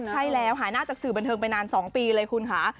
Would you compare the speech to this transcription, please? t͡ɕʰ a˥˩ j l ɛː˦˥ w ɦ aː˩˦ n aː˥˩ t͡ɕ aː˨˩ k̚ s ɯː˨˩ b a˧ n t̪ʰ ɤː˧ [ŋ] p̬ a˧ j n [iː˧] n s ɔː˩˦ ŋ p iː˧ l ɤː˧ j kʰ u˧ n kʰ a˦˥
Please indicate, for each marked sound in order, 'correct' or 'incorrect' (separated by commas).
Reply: correct, incorrect